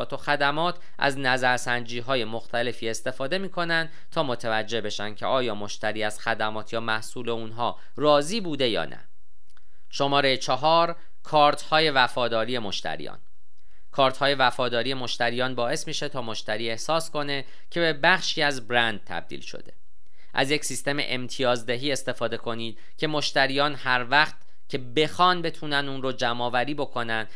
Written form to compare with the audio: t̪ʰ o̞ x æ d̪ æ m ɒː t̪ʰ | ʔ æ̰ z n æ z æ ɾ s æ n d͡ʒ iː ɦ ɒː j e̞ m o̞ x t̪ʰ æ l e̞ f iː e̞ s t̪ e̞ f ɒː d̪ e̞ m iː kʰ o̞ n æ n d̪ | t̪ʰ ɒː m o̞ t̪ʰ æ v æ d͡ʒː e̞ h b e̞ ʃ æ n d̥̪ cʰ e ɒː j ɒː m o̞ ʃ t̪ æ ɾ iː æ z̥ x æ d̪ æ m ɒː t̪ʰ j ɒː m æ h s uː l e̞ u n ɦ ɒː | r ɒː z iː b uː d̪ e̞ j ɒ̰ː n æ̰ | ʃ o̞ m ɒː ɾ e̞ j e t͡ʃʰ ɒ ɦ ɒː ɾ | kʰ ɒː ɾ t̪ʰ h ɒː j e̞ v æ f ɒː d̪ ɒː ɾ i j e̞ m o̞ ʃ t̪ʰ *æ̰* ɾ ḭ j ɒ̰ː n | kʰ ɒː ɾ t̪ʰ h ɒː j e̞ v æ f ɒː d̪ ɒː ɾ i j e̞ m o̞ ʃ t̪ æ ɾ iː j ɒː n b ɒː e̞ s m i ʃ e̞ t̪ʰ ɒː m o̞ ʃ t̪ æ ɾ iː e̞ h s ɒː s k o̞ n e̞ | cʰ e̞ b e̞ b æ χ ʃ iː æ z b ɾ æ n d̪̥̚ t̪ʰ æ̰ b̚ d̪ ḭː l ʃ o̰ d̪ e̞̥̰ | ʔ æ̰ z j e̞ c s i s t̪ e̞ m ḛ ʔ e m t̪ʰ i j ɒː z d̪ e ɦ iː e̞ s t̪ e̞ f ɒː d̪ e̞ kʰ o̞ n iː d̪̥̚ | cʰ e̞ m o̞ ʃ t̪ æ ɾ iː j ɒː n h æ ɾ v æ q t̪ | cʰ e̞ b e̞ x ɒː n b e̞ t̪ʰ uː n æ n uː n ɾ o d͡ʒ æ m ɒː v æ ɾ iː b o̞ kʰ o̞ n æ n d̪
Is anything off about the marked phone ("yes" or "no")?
no